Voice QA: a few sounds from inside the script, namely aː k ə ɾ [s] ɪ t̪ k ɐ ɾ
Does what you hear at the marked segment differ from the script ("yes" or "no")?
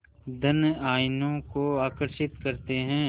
yes